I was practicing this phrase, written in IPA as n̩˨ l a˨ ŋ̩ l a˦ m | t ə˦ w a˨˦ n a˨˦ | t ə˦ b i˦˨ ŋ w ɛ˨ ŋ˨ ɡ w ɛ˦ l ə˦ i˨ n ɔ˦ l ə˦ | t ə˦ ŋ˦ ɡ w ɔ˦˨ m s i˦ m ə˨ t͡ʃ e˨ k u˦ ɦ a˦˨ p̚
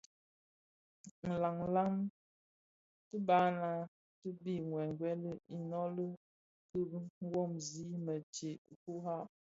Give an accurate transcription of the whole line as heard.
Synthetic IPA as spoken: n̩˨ l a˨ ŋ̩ l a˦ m | t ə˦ b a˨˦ n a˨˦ | t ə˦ b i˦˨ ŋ w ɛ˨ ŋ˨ ɡ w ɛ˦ l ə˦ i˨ n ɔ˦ l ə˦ | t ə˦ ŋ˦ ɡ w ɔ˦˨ m z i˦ m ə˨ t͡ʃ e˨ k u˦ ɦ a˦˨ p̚